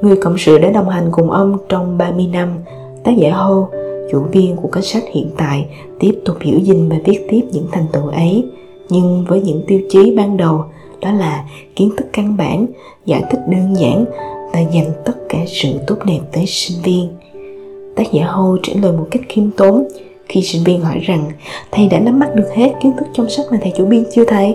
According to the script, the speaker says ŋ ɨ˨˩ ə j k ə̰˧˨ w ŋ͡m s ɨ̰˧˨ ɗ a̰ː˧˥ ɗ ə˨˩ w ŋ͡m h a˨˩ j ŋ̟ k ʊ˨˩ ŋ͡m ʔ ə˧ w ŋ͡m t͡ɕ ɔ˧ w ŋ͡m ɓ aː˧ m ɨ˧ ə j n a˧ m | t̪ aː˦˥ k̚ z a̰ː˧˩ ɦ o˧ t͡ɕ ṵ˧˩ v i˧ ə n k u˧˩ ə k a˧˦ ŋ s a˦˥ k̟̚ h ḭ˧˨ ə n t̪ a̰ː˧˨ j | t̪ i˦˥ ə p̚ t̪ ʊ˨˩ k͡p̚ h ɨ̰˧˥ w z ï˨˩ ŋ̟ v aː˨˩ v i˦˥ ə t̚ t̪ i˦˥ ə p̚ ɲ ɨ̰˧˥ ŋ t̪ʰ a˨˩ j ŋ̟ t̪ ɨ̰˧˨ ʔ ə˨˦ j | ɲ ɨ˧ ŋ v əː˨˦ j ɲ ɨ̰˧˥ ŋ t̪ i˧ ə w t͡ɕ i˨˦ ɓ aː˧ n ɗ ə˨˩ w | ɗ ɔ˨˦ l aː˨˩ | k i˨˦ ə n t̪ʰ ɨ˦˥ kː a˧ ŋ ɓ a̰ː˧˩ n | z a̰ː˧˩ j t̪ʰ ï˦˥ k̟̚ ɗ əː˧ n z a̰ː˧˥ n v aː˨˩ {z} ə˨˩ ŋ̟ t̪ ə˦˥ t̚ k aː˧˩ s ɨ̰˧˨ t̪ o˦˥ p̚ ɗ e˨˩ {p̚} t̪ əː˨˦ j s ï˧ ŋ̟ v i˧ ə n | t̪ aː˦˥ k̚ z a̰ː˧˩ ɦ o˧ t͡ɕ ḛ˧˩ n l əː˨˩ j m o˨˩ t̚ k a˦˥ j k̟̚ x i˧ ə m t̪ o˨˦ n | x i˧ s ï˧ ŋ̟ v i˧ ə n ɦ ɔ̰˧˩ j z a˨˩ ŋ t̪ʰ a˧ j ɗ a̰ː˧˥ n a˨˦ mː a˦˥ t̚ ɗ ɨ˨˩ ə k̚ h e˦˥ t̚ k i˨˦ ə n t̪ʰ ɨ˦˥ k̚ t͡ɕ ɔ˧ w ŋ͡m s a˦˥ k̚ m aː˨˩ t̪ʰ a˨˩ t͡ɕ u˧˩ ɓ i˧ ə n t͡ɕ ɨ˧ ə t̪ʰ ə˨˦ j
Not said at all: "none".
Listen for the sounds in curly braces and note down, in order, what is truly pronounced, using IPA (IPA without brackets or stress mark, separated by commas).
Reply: z, p̚